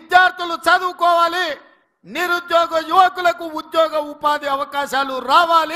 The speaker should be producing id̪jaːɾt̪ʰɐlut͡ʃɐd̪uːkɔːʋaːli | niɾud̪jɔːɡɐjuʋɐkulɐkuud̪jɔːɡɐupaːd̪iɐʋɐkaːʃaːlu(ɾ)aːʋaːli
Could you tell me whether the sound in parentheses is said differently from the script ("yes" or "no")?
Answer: no